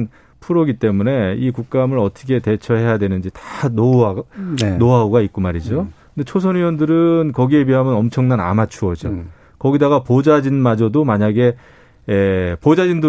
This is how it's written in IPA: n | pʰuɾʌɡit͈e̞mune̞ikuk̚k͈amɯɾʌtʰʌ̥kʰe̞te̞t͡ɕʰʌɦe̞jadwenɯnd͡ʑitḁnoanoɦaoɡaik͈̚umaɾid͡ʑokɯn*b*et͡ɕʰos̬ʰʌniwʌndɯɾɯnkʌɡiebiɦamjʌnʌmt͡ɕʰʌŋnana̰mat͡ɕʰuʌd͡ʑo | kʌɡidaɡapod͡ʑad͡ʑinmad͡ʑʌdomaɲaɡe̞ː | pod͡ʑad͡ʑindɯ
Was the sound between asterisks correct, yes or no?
no